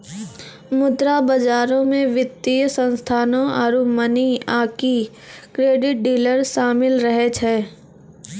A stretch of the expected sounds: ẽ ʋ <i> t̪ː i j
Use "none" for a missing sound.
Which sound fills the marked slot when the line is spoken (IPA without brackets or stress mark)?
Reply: ɪ